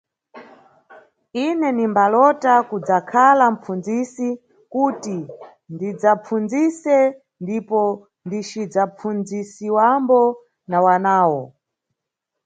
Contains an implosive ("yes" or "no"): no